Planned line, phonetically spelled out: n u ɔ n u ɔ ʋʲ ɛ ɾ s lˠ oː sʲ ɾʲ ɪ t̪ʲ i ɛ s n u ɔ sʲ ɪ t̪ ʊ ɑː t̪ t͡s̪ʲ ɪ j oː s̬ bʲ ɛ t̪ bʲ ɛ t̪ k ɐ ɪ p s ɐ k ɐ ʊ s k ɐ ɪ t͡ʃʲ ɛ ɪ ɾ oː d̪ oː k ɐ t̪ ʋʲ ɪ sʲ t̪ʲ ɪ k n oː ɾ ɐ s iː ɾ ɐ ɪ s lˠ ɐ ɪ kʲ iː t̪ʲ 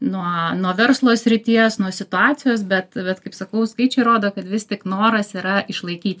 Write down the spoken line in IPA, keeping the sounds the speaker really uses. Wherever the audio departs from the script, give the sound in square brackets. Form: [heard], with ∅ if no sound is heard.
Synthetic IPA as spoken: n u ɔ n u ɔ ʋʲ ɛ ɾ s lˠ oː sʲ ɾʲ ɪ t̪ʲ i ɛ s n u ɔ sʲ ɪ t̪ ʊ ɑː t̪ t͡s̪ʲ ɪ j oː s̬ bʲ ɛ t̪ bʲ ɛ t̪ k ɐ ɪ p s ɐ k ɐ ʊ s k ɐ ɪ t͡ʃʲ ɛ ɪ ɾ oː d̪ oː k ɐ t̪ ʋʲ ɪ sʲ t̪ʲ ɪ k n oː ɾ ɐ s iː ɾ ɐ ɪ [ʃ] lˠ ɐ ɪ kʲ iː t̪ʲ